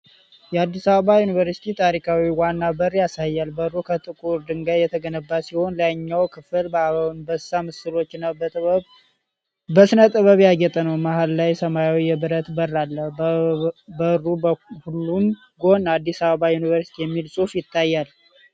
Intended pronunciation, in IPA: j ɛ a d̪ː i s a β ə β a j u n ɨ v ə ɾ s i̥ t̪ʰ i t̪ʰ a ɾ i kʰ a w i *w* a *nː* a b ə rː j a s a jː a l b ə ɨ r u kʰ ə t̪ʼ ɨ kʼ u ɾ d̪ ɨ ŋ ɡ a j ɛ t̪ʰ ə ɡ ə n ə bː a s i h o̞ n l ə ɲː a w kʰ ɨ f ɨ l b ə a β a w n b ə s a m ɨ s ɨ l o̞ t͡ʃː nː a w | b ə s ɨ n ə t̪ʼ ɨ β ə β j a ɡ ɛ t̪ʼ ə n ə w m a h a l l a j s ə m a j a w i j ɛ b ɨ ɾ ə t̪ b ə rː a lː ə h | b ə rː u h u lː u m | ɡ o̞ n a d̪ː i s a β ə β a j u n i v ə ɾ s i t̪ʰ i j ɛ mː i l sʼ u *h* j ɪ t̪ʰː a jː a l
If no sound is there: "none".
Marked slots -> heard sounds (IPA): w, nː, f

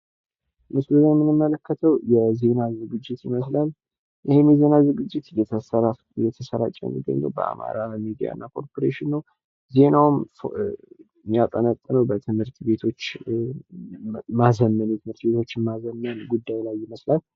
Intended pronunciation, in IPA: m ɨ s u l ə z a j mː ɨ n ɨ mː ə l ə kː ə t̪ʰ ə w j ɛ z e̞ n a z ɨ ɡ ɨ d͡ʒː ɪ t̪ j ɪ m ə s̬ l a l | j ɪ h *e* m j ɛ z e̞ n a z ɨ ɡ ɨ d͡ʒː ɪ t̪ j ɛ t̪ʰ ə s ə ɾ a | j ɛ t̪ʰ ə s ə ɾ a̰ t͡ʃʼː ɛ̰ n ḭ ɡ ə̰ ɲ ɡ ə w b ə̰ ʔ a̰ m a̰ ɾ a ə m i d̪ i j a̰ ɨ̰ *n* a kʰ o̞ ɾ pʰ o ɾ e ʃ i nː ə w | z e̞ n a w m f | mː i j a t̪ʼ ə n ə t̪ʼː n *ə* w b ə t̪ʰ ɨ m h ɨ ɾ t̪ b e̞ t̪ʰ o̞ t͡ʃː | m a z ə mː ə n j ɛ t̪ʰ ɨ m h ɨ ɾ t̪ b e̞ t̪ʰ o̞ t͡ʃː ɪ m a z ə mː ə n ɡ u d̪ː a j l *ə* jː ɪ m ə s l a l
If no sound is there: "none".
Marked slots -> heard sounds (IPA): e, nː, ə, a

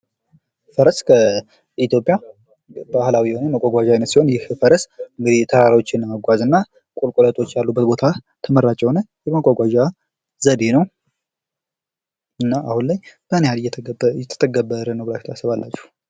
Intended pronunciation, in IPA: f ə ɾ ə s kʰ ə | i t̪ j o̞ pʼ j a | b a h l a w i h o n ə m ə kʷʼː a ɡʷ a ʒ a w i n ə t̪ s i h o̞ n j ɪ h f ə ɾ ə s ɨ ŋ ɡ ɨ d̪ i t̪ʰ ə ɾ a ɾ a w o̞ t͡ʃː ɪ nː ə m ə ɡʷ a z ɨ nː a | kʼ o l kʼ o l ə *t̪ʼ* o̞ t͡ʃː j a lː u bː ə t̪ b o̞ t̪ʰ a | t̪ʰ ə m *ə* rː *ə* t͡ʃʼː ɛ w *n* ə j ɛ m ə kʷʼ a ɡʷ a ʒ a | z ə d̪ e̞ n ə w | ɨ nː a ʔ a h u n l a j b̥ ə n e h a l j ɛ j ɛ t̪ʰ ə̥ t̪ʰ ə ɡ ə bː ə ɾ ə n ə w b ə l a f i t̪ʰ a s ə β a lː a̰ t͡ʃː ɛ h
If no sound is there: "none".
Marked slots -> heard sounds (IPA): t̪ʼ, ə, a, n

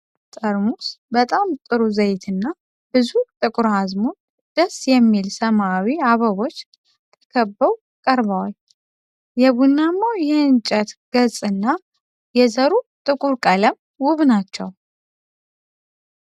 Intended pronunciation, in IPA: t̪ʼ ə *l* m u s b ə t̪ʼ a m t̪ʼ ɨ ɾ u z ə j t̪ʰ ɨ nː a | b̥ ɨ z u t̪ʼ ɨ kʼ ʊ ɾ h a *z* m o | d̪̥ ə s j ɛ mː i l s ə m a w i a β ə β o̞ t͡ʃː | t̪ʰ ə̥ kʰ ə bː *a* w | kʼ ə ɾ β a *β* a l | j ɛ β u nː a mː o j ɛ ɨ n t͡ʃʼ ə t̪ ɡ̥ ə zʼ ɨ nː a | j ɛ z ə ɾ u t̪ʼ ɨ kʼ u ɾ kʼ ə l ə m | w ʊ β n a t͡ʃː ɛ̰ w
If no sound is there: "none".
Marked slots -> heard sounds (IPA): ɾ, z, ə, w

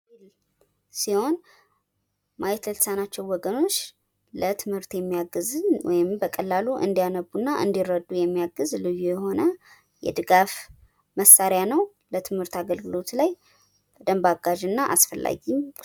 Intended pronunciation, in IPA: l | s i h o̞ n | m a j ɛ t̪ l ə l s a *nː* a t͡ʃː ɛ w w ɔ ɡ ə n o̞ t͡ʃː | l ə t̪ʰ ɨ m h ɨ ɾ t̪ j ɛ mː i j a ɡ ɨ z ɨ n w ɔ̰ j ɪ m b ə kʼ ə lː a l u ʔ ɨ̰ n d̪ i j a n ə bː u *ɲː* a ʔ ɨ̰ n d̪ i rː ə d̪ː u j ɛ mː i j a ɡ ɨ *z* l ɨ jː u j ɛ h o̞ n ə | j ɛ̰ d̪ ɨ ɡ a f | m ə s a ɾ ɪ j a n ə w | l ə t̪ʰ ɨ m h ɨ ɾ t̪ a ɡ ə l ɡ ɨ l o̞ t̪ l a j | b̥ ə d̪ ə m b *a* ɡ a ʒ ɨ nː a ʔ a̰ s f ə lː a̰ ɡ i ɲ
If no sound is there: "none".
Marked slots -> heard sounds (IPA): n, nː, z, a

